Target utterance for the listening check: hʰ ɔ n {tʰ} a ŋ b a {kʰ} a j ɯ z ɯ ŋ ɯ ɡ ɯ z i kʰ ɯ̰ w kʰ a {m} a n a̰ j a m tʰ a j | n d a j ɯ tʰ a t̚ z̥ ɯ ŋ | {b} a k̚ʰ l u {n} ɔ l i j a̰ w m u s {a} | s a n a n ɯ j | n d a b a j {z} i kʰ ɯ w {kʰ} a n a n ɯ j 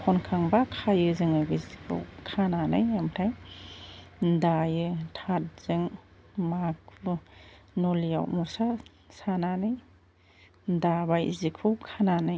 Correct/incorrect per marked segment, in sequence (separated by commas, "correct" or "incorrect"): incorrect, correct, incorrect, incorrect, correct, correct, correct, correct